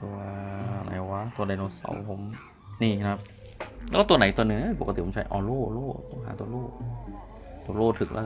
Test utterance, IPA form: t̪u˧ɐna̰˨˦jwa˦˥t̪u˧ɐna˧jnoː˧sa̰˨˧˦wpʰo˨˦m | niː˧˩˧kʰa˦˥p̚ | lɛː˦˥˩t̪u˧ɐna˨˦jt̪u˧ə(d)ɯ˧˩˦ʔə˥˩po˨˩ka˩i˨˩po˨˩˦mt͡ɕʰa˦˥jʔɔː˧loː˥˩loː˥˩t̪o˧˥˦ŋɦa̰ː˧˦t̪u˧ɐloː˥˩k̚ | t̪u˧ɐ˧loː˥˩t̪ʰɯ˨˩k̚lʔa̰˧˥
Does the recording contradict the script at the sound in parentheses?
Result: yes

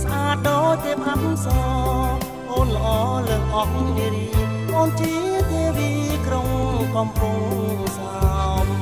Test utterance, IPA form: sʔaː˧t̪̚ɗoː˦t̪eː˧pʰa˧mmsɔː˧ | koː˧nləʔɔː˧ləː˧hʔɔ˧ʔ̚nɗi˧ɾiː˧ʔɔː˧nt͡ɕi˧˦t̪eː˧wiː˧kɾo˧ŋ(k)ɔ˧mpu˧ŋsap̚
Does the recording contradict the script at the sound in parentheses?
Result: no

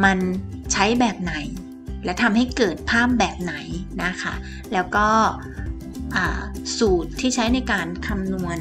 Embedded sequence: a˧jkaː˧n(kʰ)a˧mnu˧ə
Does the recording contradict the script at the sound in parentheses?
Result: no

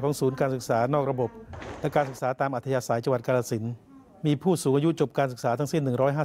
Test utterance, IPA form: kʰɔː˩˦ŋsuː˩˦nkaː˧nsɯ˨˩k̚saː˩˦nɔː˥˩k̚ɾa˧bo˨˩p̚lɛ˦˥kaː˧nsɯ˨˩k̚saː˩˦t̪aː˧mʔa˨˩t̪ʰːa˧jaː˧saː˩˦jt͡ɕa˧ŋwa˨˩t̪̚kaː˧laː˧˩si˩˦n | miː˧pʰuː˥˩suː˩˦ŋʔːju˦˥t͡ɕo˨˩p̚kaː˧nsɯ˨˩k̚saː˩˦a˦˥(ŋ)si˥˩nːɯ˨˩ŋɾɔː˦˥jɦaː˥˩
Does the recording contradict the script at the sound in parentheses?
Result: no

